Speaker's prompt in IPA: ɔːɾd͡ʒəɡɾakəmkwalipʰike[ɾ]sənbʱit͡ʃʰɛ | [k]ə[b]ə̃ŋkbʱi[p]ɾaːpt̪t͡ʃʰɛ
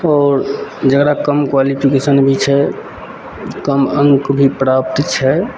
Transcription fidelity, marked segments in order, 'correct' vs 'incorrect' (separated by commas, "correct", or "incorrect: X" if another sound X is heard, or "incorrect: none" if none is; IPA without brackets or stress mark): incorrect: none, correct, incorrect: m, correct